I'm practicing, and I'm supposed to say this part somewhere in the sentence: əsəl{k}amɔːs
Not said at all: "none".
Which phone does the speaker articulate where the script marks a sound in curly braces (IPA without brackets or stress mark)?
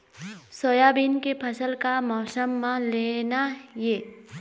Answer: k